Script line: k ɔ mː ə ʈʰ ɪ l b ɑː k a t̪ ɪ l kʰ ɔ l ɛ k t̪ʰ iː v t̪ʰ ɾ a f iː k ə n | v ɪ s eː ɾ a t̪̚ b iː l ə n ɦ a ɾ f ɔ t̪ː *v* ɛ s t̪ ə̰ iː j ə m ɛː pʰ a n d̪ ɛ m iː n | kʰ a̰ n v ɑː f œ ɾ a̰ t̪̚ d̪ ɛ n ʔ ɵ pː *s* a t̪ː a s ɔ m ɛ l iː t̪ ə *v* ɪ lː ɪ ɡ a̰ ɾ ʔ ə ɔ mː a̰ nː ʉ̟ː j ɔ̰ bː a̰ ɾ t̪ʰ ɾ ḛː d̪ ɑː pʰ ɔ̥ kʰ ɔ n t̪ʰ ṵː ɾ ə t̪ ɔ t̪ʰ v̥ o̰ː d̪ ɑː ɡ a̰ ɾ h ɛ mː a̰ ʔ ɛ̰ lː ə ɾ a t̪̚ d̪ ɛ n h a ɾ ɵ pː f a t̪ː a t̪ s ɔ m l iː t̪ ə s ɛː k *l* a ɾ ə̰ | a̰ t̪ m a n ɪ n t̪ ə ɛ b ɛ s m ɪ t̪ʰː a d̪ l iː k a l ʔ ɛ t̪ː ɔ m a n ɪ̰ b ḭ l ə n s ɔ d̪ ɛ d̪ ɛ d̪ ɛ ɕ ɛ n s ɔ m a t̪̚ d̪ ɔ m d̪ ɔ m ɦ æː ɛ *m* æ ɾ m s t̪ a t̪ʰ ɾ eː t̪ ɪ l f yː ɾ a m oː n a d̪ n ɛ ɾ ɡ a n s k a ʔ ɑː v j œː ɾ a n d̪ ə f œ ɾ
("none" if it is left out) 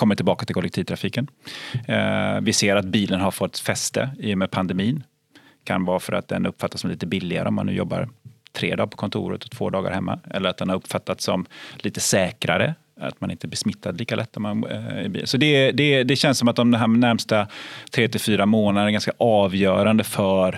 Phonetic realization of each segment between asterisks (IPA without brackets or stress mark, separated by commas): f, f, b, ɾ, n